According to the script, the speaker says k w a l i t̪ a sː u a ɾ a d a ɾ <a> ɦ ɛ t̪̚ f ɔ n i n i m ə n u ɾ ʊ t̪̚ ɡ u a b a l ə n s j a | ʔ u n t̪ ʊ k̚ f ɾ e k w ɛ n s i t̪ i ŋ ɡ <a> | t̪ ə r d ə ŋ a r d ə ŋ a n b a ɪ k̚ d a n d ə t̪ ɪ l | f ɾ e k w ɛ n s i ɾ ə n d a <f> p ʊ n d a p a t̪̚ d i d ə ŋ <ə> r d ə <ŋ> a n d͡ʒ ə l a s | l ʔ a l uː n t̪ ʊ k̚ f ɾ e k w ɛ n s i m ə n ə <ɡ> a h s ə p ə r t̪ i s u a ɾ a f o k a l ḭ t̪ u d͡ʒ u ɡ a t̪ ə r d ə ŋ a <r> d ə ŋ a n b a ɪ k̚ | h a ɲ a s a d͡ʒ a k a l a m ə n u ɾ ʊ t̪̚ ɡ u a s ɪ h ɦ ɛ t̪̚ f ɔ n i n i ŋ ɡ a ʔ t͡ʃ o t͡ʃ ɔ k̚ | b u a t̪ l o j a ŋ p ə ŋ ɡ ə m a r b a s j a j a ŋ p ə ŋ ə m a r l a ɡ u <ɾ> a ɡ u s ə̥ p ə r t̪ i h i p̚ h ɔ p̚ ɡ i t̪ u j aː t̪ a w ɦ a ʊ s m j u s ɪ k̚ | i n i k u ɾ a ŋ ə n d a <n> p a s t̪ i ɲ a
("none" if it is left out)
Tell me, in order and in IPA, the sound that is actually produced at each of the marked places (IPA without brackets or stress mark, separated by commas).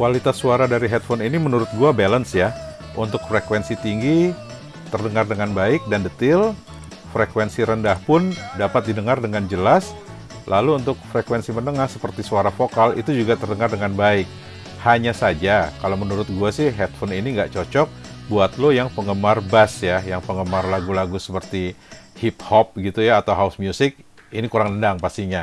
i, i, h, a, ŋ, ŋ, r, l, ŋ